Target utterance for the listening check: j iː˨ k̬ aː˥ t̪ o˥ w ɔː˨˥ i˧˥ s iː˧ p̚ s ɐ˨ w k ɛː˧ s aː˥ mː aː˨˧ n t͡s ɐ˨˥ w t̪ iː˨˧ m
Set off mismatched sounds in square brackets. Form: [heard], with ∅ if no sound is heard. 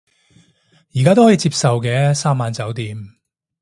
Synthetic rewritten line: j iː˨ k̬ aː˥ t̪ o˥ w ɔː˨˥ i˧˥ [t͡s] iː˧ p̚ s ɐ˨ w k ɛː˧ s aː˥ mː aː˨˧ n t͡s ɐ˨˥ w t̪ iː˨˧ m